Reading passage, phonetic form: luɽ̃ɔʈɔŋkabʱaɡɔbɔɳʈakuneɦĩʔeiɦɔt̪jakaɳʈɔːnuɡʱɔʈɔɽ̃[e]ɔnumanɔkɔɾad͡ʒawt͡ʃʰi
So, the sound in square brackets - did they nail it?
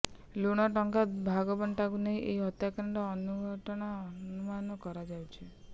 no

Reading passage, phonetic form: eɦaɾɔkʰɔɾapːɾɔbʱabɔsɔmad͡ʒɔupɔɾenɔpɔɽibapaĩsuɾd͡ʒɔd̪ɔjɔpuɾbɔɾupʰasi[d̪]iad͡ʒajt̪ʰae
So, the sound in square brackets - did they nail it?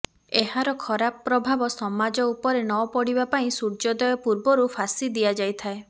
yes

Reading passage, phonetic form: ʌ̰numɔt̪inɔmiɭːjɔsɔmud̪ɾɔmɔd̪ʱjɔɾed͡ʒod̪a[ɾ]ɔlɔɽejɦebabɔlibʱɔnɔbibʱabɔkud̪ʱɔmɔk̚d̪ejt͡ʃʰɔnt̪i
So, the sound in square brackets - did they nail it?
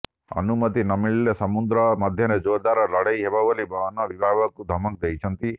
yes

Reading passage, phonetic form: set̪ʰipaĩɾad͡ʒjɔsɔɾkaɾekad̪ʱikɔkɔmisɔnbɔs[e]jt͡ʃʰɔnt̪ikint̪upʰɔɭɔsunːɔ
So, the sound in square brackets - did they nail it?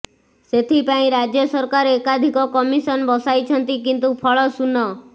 no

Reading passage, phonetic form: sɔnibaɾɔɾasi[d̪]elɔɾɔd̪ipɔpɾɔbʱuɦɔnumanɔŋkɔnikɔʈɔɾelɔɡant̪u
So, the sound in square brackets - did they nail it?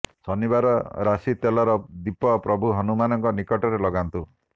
no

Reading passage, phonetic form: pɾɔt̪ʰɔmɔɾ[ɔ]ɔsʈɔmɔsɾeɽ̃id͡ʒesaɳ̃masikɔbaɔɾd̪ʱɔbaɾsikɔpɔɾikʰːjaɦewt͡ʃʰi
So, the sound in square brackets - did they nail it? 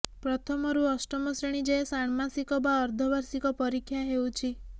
no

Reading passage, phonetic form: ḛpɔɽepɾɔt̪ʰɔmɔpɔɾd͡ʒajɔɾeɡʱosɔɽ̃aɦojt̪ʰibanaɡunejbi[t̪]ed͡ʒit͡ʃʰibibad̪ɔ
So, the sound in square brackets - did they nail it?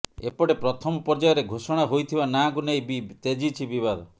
yes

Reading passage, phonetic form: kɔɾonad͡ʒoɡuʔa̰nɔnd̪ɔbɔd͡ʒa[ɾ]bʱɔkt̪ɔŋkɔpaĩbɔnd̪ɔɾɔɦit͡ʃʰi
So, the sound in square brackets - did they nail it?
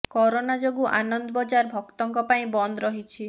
yes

